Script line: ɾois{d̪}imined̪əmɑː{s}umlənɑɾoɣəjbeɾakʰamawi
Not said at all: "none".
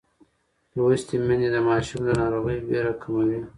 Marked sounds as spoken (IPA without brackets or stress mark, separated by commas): t̪, ʃ